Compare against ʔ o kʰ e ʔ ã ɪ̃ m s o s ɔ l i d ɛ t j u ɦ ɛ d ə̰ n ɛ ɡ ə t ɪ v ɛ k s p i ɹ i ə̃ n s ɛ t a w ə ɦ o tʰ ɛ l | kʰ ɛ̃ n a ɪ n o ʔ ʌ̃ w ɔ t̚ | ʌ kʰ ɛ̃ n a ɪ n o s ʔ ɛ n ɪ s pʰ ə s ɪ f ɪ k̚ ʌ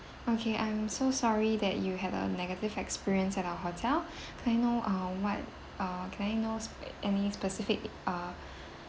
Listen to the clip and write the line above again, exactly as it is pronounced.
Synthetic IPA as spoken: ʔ o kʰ e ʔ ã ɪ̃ m s o s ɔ ɹ i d ɛ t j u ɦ ɛ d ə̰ n ɛ ɡ ə t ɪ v ɛ k s p i ɹ i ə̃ n s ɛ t a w ə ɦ o tʰ ɛ l | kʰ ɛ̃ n a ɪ n o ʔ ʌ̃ w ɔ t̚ | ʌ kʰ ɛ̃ n a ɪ n o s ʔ ɛ n i s p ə s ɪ f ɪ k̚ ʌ

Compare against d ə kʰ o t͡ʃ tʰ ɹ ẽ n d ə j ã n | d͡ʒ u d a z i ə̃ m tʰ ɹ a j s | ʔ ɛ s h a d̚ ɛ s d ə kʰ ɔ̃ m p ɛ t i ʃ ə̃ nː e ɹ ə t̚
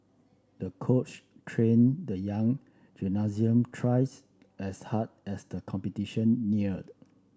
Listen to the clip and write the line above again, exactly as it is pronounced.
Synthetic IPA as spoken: d ə kʰ o t͡ʃ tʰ ɹ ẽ n d ə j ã ŋ | d͡ʒ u n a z i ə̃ m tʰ ɹ a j s | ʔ ɛ s h a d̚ ɛ s d ə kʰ ɔ̃ m p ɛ t i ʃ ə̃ nː i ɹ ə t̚

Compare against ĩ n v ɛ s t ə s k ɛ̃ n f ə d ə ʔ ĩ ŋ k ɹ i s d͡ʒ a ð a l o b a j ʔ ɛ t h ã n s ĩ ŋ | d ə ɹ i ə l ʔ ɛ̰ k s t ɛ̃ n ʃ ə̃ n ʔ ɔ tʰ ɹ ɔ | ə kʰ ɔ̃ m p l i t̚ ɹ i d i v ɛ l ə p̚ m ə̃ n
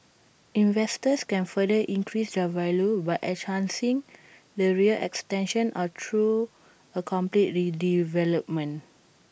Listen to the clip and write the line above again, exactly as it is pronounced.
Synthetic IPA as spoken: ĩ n v ɛ s t ə s k ɛ̃ n f ə d ə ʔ ĩ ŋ k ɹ i s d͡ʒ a v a l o b a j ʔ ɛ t h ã n s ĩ ŋ | d ə ɹ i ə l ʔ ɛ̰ k s t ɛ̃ n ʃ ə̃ n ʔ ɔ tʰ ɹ u | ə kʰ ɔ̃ m p l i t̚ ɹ i d i v ɛ l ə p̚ m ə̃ n

